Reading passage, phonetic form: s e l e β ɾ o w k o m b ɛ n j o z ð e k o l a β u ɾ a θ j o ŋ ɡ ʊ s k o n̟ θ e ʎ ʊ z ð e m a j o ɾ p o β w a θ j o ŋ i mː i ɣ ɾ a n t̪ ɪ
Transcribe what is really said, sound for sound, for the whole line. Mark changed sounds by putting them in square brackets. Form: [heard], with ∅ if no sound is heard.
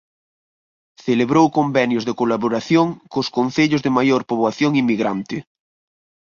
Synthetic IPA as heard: [θ] e l e β ɾ o w k o m b ɛ n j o z ð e k o l a β [o] ɾ a θ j o ŋ [k] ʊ s k o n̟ θ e ʎ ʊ z ð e m a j o ɾ p o β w a θ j o ŋ i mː i ɣ ɾ a n t̪ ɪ